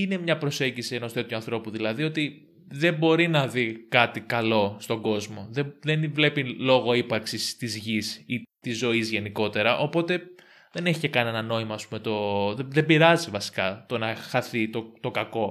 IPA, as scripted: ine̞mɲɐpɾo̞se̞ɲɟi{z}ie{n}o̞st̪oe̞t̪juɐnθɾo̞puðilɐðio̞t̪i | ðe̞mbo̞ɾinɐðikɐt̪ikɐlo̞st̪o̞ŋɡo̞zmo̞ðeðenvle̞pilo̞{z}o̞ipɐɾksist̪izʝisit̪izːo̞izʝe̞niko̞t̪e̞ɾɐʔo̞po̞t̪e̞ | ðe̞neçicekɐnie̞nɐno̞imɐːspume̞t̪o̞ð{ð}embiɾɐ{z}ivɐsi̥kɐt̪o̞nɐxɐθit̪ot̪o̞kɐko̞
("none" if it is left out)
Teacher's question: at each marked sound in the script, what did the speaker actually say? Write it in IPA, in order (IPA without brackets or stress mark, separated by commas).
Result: s, n, ɣ, ð, z